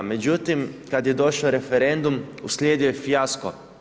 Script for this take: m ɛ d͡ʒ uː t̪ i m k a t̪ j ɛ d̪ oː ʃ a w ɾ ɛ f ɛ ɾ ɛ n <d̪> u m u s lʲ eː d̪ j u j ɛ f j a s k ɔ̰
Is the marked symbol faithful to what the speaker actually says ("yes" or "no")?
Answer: yes